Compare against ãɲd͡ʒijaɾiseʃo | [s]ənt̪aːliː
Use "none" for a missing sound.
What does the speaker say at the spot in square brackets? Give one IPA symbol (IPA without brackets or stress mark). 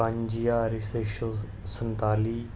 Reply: s